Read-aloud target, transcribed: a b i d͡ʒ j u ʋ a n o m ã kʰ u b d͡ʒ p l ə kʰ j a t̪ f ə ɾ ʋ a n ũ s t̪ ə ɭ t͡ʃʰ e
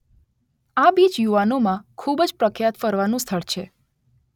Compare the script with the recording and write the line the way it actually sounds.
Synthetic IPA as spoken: a b i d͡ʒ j u ʋ a n o m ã kʰ u b d͡ʒ p ɾ ə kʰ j a t̪ f ə ɾ ʋ a n ũ s t̪ʰ ə ɭ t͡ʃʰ e